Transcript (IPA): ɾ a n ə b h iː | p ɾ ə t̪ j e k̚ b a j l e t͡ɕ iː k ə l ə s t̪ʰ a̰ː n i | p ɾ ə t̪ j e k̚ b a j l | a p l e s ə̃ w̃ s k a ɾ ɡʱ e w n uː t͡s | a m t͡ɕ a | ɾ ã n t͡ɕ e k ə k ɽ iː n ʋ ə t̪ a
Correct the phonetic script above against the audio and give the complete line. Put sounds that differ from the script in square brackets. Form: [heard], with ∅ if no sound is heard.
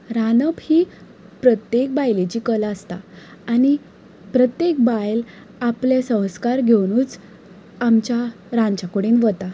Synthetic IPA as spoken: ɾ a n ə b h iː | p ɾ ə t̪ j e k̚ b a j l e t͡ɕ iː k ə l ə s [t̪] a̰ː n i | p ɾ ə t̪ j e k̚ b a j l | a p l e s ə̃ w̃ s k a ɾ ɡʱ e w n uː t͡s | a m t͡ɕ a | ɾ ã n t͡ɕ [a] k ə [∅] ɽ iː n ʋ ə t̪ a